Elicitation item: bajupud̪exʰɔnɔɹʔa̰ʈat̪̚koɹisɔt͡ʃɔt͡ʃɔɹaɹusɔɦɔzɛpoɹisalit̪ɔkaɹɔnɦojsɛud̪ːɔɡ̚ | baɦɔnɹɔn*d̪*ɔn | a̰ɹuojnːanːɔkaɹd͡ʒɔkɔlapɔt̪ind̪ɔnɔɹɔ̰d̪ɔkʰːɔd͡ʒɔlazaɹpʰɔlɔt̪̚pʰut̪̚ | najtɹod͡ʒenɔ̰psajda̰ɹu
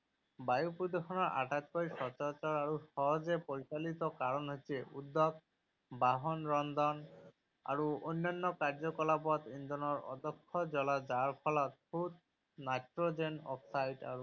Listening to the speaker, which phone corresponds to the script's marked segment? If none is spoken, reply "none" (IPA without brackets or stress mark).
d̪